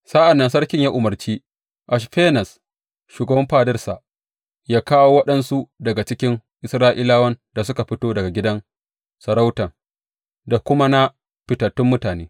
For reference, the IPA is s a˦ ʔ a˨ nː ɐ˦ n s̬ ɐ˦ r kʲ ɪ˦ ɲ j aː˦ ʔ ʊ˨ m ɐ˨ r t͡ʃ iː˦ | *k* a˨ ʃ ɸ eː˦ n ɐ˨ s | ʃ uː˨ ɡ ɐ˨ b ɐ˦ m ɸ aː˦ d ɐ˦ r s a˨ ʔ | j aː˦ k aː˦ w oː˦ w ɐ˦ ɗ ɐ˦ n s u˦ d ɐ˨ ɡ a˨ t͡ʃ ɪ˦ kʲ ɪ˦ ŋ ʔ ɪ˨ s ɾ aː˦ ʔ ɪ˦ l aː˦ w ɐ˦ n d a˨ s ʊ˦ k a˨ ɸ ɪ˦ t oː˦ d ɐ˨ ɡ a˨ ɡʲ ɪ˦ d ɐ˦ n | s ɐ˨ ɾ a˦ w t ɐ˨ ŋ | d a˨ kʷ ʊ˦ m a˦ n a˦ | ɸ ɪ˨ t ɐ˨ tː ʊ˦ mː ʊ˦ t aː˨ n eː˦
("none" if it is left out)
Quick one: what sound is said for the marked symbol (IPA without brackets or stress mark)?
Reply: ʔ